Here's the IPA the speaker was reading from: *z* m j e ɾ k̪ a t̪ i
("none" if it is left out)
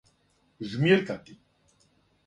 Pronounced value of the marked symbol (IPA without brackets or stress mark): z